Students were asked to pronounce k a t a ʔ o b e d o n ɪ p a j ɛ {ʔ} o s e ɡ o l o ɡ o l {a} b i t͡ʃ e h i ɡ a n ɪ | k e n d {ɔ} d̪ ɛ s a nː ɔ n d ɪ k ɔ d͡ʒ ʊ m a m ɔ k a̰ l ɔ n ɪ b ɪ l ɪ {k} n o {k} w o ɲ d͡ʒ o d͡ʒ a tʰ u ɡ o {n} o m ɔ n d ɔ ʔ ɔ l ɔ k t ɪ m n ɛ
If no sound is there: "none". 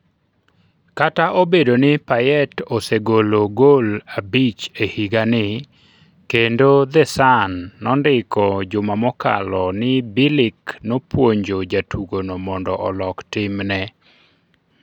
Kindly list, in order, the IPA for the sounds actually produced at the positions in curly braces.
t, a, o, k, p, n

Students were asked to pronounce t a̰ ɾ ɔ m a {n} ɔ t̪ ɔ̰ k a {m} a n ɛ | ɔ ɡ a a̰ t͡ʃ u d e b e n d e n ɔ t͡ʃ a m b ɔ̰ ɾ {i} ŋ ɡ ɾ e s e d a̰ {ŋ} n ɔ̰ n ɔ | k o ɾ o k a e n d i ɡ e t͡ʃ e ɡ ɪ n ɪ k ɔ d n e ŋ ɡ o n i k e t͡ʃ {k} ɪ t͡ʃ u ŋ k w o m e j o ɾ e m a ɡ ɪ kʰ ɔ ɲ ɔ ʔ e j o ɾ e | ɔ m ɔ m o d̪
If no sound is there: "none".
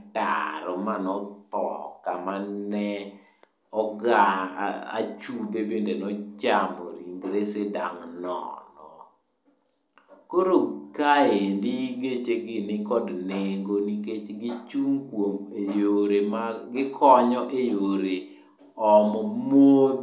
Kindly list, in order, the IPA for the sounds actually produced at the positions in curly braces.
n, m, i, ŋ, ɡ

